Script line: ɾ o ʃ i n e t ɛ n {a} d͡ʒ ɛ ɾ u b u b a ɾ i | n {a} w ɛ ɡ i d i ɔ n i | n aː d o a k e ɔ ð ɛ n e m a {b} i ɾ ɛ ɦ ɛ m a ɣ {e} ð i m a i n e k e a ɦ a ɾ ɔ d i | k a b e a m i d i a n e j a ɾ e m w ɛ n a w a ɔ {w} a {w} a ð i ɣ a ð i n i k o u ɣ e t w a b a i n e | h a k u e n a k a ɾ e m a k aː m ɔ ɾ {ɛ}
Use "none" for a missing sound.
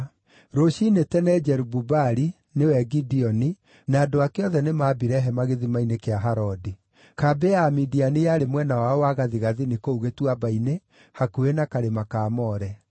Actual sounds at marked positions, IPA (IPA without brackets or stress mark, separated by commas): ɛ, e, b, e, w, ɣ, ɛ